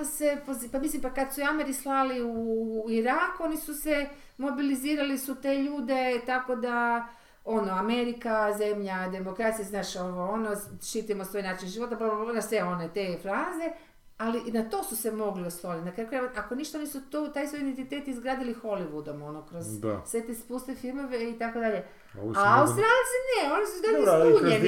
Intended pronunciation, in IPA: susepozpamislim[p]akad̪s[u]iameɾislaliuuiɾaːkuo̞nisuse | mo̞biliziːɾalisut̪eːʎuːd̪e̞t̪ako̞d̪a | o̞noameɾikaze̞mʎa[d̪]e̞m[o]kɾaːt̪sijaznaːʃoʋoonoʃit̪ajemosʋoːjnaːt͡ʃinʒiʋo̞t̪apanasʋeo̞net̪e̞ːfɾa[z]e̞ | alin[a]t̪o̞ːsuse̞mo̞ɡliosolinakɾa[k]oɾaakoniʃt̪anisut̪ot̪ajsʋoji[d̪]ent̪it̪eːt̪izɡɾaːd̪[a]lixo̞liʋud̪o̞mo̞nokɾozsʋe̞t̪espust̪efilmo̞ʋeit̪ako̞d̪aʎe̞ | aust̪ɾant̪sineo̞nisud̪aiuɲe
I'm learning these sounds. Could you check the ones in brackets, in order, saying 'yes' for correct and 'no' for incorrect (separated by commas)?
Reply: yes, yes, yes, yes, yes, yes, yes, yes, no